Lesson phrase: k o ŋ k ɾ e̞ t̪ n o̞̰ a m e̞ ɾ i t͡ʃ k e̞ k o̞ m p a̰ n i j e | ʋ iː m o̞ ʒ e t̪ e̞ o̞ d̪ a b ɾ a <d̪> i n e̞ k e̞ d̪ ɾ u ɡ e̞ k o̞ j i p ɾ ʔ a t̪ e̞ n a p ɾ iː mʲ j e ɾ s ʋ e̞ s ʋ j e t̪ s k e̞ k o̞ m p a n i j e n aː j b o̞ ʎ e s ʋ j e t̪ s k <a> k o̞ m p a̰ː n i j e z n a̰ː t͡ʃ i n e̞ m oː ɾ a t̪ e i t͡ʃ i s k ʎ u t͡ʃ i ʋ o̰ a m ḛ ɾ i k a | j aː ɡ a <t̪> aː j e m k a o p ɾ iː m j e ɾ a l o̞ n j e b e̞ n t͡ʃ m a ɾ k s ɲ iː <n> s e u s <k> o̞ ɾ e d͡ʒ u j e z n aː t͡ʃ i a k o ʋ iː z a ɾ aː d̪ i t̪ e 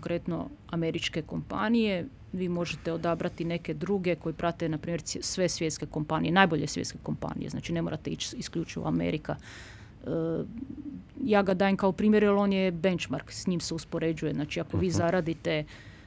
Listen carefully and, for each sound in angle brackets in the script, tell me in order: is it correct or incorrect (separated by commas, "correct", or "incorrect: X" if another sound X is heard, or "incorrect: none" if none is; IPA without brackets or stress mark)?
incorrect: t̪, incorrect: e, incorrect: d̪, incorrect: m, incorrect: p